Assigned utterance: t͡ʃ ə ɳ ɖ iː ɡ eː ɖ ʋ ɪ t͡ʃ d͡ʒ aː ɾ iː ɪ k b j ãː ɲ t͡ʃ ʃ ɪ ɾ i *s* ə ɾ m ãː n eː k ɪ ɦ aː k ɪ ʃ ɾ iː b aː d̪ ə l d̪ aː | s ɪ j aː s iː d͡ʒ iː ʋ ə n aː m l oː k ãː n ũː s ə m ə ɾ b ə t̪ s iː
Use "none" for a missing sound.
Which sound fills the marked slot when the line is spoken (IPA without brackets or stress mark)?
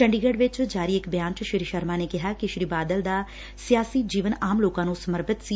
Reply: ʃ